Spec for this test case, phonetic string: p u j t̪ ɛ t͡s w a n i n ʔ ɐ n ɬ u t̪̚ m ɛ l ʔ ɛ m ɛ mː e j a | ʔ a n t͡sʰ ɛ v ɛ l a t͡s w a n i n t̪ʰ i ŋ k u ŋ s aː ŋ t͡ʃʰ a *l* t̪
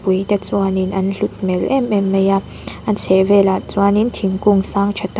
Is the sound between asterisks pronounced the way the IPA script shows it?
no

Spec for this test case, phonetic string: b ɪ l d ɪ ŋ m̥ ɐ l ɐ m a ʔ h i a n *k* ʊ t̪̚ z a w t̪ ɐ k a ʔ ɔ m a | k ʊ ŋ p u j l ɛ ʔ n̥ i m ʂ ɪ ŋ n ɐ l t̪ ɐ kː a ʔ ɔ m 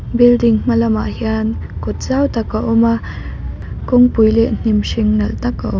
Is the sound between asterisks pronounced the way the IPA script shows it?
yes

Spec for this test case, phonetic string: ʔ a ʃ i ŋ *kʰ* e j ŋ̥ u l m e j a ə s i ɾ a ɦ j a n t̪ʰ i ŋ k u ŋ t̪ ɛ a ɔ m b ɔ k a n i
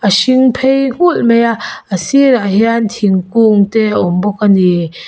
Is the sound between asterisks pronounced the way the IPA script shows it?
no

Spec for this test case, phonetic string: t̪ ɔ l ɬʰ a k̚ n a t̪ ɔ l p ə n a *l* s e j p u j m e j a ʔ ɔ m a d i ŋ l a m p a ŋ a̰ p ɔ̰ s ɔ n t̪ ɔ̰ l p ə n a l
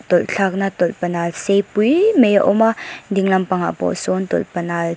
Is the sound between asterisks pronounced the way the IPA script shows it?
yes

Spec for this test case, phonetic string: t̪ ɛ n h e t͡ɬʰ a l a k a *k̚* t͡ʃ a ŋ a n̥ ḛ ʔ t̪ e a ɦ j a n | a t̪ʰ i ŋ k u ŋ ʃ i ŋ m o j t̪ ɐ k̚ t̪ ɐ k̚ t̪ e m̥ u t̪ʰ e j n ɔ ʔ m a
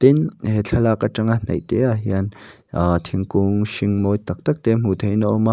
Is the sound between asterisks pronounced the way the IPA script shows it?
no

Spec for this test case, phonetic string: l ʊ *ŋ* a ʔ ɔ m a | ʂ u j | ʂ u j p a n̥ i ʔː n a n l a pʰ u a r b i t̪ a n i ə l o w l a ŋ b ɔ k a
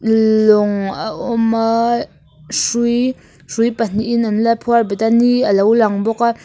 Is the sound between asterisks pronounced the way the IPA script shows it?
yes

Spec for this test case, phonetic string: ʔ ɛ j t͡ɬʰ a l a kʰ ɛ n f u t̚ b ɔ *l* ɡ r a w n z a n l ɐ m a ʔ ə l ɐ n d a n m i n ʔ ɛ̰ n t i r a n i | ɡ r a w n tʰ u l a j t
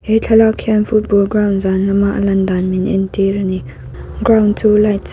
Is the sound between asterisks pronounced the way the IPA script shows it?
yes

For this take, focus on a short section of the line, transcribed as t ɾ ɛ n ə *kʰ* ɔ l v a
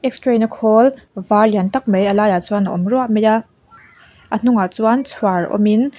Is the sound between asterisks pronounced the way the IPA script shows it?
yes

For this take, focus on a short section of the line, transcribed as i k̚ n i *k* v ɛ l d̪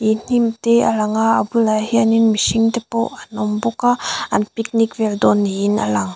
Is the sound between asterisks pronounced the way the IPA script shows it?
yes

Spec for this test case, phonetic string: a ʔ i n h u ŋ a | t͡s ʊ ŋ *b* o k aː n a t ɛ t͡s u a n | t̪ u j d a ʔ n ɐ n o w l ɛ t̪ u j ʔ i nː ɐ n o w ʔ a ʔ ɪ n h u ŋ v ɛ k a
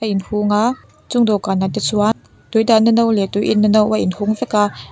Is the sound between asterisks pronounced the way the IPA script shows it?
no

